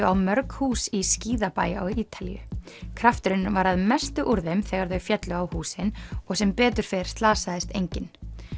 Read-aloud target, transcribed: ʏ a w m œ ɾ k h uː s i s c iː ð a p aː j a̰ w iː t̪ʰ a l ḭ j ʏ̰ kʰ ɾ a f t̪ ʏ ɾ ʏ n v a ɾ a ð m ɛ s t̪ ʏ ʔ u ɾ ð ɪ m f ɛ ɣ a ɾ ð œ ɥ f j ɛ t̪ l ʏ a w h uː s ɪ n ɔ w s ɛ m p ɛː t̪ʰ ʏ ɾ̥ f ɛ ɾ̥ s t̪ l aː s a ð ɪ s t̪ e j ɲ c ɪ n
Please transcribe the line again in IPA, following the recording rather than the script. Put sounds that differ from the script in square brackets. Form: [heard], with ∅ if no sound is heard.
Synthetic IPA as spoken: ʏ a w m œ ɾ k h uː s i s c iː ð a p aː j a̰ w iː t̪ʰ a l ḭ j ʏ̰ kʰ ɾ a f t̪ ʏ ɾ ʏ n v a ɾ a ð m ɛ s t̪ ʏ ʔ u ɾ ð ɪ m [θ] ɛ ɣ a ɾ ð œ ɥ f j ɛ t̪ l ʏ a w h uː s ɪ n ɔ [ɣ] s ɛ m p ɛː [t̪] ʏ ɾ̥ f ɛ ɾ̥ s t̪ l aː s a ð ɪ s t̪ e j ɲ c ɪ n